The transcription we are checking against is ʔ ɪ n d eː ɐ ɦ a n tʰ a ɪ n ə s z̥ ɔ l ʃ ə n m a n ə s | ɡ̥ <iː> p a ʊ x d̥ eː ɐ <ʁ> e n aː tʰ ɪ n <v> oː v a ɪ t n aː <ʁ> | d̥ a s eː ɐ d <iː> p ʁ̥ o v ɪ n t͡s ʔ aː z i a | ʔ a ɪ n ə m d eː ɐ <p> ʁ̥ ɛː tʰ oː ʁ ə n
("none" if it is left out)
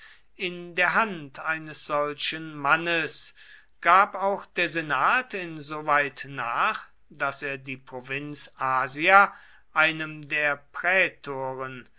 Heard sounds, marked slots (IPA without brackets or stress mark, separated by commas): aː, z, z, χ, iː, p